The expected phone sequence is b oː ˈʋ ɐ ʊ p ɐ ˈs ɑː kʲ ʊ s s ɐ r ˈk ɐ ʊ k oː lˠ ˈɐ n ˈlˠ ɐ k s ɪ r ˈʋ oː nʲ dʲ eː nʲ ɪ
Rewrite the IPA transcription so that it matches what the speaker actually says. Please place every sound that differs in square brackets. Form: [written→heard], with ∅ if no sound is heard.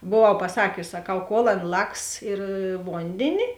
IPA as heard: b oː ˈʋ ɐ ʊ p ɐ ˈs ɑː kʲ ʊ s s ɐ [r→∅] ˈk ɐ ʊ k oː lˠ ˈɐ n ˈlˠ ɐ k s ɪ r ˈʋ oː nʲ dʲ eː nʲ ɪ